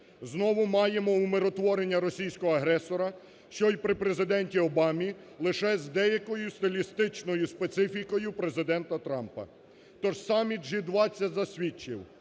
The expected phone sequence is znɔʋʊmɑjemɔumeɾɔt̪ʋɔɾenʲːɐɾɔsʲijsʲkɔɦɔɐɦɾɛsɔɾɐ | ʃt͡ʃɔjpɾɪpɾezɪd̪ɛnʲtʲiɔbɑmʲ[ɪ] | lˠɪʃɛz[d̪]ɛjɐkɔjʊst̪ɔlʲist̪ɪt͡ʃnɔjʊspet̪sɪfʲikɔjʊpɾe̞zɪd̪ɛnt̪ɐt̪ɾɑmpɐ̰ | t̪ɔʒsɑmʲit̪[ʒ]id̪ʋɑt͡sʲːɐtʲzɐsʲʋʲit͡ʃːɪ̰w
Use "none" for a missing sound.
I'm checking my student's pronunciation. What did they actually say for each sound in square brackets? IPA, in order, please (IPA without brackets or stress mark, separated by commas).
i, d̪, ʒ